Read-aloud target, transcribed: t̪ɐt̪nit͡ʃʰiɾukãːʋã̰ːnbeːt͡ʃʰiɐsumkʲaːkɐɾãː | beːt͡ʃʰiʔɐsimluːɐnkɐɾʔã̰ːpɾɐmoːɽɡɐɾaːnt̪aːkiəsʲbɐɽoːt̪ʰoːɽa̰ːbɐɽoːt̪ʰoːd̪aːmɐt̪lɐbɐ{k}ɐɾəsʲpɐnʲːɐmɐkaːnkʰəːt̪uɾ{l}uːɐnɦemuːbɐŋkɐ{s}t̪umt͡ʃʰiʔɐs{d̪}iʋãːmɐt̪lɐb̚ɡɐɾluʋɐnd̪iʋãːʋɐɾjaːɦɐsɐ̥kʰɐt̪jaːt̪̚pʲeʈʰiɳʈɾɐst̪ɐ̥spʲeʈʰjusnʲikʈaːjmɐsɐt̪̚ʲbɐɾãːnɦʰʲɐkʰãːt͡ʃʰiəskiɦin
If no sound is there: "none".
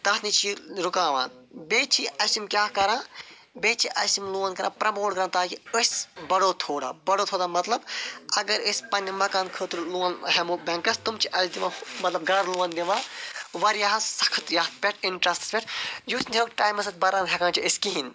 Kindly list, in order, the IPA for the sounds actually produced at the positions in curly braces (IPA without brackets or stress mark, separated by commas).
ɡ, l, s, d̪